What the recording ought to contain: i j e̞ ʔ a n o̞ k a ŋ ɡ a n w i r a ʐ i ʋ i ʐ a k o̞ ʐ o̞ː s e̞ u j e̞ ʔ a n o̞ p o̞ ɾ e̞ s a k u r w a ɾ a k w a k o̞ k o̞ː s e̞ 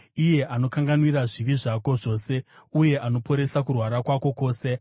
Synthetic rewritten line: i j e̞ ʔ a n o̞ k a ŋ ɡ a n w i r a ʐ i ʋ i ʐ a k o̞ ʐ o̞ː s e̞ u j e̞ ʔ a n o̞ p o̞ ɾ e̞ s a k u r w a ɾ a k w a k o̞ k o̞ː s e̞